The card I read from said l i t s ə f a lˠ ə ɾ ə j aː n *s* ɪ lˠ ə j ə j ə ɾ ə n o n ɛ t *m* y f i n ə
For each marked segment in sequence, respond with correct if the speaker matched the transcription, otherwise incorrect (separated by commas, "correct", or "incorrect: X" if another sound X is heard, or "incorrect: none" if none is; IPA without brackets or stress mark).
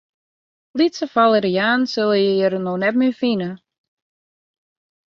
correct, correct